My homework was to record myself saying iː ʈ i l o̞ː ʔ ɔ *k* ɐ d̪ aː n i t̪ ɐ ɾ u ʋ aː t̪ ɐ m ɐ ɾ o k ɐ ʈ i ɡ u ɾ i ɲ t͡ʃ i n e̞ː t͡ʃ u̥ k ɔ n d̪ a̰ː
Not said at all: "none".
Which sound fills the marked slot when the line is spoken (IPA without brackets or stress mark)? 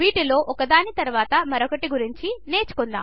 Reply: k